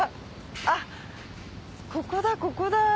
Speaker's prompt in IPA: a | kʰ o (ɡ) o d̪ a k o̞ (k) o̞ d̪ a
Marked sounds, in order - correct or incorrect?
incorrect, correct

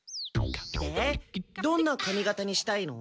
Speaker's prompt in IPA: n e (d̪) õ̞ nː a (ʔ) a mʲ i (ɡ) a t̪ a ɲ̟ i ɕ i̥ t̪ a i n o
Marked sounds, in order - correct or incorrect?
correct, incorrect, correct

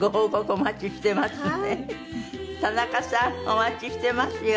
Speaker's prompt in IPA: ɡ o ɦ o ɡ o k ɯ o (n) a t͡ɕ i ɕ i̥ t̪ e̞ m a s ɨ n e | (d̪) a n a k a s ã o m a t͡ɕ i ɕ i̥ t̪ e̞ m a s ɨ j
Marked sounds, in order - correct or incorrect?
incorrect, incorrect

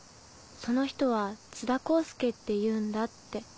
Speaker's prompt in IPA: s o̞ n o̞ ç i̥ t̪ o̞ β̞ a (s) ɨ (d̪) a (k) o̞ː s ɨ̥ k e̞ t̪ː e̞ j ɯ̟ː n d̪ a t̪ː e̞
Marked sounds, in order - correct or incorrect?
incorrect, correct, correct

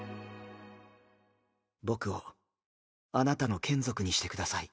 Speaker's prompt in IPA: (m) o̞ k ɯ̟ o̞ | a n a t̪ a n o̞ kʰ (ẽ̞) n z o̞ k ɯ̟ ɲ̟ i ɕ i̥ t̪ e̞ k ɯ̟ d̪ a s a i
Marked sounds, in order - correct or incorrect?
incorrect, correct

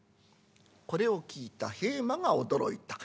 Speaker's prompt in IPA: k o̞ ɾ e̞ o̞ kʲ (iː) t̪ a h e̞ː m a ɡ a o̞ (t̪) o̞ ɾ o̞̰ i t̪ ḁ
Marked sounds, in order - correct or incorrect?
correct, incorrect

